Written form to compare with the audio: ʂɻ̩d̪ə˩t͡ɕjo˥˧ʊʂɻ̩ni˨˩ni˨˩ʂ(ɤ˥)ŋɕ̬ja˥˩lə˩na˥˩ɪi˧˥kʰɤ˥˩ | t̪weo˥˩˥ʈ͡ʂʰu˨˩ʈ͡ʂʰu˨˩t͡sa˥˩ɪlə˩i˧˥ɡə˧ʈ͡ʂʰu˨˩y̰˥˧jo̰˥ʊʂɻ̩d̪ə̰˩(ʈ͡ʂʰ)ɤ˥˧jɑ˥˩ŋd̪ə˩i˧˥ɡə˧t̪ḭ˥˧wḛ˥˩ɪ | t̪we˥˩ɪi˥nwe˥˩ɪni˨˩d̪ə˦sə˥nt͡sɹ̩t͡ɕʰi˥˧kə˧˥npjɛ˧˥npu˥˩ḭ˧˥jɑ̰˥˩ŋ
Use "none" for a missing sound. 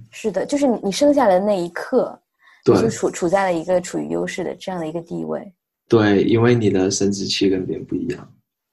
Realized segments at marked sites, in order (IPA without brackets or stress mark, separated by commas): ɤ˥, ʈ͡ʂ